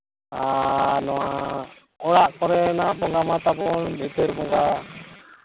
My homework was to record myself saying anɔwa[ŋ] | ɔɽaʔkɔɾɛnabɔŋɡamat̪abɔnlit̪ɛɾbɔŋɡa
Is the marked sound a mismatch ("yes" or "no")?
yes